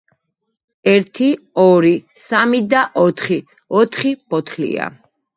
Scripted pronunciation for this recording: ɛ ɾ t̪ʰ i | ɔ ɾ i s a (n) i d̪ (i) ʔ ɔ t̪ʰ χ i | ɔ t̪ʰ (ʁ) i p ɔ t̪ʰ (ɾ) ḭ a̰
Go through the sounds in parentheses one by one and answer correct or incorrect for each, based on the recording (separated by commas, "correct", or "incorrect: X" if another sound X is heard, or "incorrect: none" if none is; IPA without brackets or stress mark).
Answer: incorrect: m, incorrect: a, incorrect: χ, incorrect: l